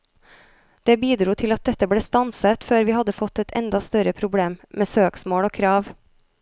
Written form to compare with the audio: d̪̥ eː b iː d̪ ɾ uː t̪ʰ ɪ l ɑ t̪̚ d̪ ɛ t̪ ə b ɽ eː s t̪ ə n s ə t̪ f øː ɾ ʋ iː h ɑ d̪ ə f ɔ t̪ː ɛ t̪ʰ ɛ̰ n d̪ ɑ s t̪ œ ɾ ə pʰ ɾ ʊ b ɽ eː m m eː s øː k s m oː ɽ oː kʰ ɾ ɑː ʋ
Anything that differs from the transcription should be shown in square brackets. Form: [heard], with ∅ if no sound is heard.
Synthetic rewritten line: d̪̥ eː b iː d̪ ɾ uː t̪ʰ ɪ l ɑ t̪̚ d̪ ɛ t̪ ə b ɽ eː s t̪ [ɑ] n s ə t̪ f øː ɾ ʋ iː h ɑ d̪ ə f ɔ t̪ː ɛ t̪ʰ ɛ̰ n d̪ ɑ s t̪ œ ɾ ə pʰ ɾ ʊ b ɽ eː m m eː s øː k s m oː ɽ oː kʰ ɾ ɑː ʋ

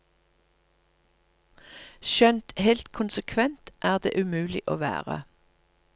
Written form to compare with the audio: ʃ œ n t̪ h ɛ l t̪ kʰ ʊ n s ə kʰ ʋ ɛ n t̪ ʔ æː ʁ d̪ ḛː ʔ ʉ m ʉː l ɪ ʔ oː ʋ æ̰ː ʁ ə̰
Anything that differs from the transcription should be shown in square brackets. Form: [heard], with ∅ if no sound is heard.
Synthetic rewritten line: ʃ œ n t̪ h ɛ l t̪ kʰ ʊ n s ə kʰ ʋ ɛ n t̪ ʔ æː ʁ d̪ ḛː ʔ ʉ m ʉː l ɪ ʔ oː ʋ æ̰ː ʁ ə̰

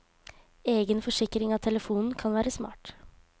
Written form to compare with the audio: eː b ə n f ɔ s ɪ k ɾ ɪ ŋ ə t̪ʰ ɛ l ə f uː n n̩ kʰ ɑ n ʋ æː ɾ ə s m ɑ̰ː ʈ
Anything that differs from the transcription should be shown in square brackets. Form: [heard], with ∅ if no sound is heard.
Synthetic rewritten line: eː [ɡ] ə n f ɔ [ʂ] ɪ k ɾ ɪ ŋ [ɑ] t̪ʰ ɛ l ə f uː n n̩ kʰ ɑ n ʋ æː ɾ ə s m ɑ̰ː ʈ

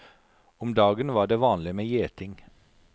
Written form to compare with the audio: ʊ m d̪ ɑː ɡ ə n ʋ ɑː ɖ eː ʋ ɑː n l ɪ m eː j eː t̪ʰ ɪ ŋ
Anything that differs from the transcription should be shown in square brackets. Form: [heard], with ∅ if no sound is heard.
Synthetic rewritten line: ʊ m d̪ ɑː ɡ ə n ʋ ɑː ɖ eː ʋ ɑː n l ɪ m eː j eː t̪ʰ ɪ ŋ

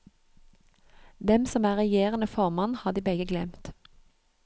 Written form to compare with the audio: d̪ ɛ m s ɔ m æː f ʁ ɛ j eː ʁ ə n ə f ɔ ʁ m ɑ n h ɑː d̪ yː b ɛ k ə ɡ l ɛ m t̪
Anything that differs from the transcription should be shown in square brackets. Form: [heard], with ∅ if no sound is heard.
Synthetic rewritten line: d̪ ɛ m s ɔ m æː [∅] ʁ ɛ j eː ʁ ə n ə f ɔ ʁ m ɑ n h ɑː d̪ [iː] b ɛ [ɡ] ə ɡ l ɛ m t̪

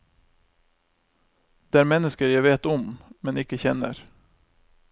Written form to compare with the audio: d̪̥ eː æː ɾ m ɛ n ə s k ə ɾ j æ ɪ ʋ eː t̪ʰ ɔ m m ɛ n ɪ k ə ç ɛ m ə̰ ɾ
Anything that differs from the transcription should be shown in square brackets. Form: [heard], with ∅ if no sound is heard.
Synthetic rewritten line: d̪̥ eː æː ɾ m ɛ n ə s k ə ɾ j æ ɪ ʋ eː [t̪] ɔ m m ɛ n ɪ k ə ç ɛ [n] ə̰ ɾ

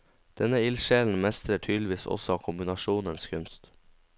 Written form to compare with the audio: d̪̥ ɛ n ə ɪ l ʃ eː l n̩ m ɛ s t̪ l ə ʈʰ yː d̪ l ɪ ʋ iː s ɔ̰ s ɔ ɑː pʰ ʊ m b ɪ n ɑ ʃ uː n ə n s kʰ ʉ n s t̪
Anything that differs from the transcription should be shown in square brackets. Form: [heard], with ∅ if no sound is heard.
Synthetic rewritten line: d̪̥ ɛ n ə ɪ l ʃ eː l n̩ m ɛ s t̪ [ɾ] ə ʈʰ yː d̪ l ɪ ʋ iː s ɔ̰ s ɔ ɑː [kʰ] ʊ m b ɪ n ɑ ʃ uː n ə n s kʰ ʉ n s t̪

